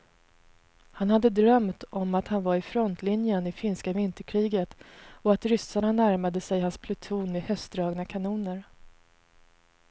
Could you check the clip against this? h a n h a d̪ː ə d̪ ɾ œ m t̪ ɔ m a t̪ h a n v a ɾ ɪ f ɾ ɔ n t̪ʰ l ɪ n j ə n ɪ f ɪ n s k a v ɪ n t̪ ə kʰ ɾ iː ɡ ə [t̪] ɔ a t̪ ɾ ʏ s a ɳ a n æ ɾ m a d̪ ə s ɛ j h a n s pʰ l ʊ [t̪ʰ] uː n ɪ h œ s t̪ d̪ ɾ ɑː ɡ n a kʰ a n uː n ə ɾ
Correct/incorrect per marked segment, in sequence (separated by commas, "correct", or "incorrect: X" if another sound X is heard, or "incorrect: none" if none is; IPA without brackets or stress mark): correct, correct